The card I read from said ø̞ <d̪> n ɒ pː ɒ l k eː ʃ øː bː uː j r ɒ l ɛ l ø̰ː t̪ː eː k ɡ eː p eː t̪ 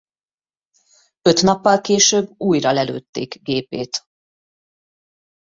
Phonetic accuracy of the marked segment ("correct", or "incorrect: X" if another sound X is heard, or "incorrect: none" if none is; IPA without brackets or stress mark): incorrect: t̪